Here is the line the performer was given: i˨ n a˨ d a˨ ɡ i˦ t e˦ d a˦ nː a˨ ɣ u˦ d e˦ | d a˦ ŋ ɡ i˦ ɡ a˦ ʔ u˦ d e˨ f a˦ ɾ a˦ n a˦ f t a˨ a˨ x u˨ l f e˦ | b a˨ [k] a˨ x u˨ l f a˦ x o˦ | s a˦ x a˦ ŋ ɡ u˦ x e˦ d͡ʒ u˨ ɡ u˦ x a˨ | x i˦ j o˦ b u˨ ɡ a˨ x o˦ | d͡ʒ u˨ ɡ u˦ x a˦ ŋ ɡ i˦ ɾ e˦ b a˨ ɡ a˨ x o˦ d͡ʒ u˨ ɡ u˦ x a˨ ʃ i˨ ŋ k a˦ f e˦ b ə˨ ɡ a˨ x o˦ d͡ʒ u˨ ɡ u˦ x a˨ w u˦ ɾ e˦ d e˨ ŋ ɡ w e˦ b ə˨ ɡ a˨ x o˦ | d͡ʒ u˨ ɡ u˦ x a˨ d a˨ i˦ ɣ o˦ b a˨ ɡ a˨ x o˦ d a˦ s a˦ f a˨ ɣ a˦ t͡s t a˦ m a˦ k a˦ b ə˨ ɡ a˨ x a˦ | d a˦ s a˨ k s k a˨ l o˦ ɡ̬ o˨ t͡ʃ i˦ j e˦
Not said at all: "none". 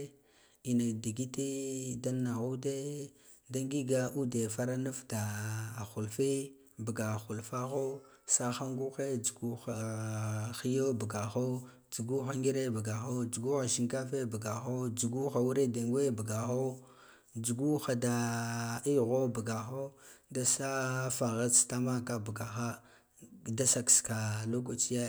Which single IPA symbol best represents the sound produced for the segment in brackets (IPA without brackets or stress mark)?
ɡ